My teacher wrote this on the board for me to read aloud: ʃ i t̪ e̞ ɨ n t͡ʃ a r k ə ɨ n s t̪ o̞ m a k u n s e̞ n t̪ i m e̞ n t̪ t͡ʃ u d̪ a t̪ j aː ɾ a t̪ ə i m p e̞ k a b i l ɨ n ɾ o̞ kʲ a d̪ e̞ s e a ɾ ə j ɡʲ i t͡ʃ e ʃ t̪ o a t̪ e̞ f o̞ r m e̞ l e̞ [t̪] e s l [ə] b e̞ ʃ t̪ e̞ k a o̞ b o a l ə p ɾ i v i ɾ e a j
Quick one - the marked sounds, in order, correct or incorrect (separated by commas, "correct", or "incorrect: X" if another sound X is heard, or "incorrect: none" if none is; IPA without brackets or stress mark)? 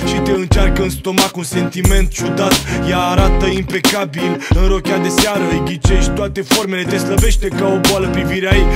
correct, correct